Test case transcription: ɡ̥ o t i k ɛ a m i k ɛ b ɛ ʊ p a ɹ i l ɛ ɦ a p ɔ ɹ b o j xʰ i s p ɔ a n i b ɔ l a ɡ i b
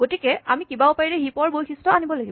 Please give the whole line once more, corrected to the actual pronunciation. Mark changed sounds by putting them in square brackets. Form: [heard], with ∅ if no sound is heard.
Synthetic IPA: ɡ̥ o t i k ɛ a m i k [i] b [a] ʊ p a ɹ i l ɛ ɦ [i] p ɔ ɹ b o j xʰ i s [t] ɔ a n i b ɔ l a ɡ i b